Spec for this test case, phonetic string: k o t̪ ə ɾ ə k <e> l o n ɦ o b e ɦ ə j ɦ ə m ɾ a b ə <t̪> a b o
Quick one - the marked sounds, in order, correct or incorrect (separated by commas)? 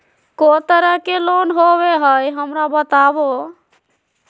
correct, correct